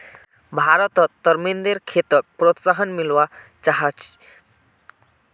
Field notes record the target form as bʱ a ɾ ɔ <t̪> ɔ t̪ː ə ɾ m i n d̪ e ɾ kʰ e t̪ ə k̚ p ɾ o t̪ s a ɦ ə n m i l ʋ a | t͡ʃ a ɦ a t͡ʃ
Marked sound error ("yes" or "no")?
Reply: no